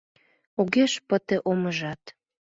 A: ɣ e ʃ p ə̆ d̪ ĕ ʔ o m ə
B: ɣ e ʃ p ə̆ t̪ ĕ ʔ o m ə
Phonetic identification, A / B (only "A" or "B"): B